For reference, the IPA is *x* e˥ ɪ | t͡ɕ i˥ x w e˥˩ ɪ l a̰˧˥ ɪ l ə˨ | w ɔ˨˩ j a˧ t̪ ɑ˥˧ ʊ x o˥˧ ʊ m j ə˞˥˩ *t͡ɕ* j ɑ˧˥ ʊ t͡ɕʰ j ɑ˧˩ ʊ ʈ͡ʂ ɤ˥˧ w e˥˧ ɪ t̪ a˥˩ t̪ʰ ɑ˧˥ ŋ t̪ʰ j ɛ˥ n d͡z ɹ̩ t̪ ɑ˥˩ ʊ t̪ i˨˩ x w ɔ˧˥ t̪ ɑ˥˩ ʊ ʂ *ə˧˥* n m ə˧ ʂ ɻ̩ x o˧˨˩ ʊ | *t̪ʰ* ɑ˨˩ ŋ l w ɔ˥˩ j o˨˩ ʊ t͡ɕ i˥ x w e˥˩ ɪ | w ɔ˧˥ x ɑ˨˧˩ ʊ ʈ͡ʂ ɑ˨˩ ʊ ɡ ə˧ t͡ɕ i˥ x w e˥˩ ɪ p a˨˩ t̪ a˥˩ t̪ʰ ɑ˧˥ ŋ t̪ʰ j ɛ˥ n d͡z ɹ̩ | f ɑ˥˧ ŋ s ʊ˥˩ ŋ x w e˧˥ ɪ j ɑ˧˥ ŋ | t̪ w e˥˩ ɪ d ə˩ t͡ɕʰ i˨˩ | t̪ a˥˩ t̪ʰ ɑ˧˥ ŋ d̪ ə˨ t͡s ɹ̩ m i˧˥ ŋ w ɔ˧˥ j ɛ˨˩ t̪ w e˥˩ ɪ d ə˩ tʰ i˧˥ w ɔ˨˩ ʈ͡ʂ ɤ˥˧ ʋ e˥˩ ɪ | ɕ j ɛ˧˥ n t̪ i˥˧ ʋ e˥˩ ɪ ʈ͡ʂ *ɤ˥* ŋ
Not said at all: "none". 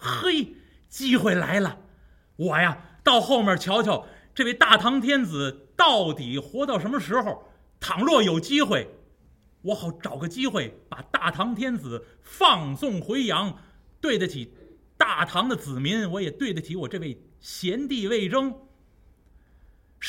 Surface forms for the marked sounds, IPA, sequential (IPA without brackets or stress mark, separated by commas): x, t͡ɕʰ, ə˧˥, t̪ʰ, ɤ˥